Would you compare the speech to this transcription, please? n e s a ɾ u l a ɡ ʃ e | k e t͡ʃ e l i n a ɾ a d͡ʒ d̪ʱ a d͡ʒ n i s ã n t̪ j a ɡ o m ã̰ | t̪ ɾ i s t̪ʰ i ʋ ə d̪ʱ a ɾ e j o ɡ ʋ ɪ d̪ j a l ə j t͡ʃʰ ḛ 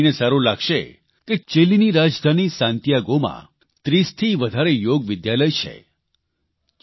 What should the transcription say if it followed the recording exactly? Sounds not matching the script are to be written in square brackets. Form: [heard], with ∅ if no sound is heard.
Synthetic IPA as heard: n e s a ɾ u l a ɡ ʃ e | k e t͡ʃ e l i n [i] ɾ a d͡ʒ d̪ʱ a [∅] n i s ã n t̪ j a ɡ o m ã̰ | t̪ ɾ i s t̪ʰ i ʋ ə d̪ʱ a ɾ e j o ɡ ʋ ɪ d̪ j a l ə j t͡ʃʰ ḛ